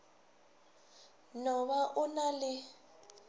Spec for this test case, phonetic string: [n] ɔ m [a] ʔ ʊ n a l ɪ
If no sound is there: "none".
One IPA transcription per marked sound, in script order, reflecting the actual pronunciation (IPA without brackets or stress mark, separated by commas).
n, a